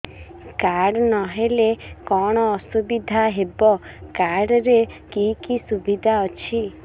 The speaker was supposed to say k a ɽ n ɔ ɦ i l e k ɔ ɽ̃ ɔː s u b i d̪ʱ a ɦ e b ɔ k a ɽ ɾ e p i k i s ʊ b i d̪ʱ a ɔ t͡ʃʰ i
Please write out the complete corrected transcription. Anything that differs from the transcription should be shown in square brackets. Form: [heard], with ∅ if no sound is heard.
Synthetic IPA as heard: k a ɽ n ɔ ɦ [e] l e k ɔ ɽ̃ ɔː s u b i d̪ʱ a ɦ e b ɔ k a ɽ ɾ e [k] i k i s [u] b i d̪ʱ a ɔ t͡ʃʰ i

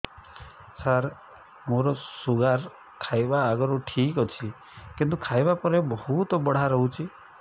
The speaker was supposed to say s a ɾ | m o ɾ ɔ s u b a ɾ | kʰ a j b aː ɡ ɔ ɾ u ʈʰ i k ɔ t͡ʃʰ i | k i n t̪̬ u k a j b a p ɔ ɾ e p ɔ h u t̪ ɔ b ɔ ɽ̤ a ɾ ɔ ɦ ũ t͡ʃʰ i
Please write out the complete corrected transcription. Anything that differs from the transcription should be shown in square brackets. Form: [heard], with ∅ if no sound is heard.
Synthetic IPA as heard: s a ɾ | m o ɾ ɔ s u [ɡ] a ɾ | kʰ a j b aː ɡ ɔ ɾ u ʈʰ i k ɔ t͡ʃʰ i | k i n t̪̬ u [kʰ] a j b a p ɔ ɾ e [b] ɔ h u t̪ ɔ b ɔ ɽ̤ a ɾ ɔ ɦ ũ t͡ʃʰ i

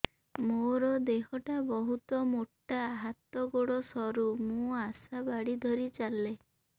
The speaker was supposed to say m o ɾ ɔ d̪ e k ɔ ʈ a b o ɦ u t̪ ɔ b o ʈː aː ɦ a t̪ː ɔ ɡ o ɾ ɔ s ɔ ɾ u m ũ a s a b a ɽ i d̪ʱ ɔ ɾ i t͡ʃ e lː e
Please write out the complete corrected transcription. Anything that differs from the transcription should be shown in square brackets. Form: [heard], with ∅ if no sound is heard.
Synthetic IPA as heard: m o ɾ ɔ d̪ e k ɔ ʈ a b [ɔ] ɦ u t̪ ɔ [m] o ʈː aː ɦ a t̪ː ɔ ɡ o [ɽ] ɔ s ɔ ɾ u m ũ a s a b a ɽ i d̪ʱ ɔ ɾ i t͡ʃ [a] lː e

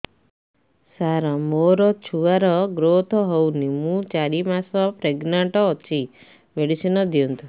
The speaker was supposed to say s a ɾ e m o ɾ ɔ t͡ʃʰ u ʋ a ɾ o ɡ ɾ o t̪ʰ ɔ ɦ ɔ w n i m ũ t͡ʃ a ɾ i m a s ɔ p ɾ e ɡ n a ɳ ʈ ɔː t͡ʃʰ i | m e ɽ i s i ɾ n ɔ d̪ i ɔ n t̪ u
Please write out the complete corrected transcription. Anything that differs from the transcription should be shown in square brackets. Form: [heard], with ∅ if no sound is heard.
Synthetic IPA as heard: s a ɾ [a] m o ɾ ɔ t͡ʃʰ u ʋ a ɾ [ɔ] ɡ ɾ o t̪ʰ ɔ ɦ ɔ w n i m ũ t͡ʃ a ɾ i m a s ɔ p ɾ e ɡ n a ɳ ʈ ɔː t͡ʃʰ i | m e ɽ i s i [∅] n ɔ d̪ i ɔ n t̪ u

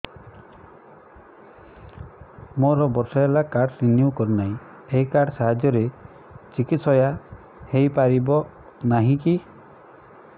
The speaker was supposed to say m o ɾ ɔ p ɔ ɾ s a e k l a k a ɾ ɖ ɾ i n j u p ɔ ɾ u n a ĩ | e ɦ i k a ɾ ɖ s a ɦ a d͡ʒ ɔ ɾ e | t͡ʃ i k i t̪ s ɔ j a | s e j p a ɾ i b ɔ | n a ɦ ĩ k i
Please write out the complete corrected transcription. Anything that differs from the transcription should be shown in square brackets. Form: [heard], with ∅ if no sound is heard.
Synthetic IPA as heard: m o ɾ ɔ [b] ɔ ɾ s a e [∅] l a k a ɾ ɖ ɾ i n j u [k] ɔ ɾ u n a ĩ | e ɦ i k a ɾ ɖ s a ɦ a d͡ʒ ɔ ɾ e | t͡ʃ i k i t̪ s ɔ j a | [h] e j p a ɾ i b ɔ | n a ɦ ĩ k i

